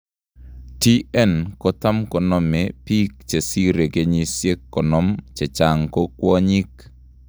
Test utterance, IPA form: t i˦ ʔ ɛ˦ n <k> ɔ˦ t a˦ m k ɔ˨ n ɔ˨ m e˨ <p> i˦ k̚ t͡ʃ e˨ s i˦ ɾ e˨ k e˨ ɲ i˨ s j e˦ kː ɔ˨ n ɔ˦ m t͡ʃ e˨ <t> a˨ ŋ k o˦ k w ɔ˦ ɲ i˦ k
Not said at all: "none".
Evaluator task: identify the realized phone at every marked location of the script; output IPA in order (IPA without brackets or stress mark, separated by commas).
k, p, t͡ʃ